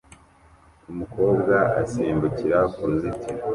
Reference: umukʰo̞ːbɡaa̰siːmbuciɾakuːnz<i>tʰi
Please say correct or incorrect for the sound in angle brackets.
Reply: correct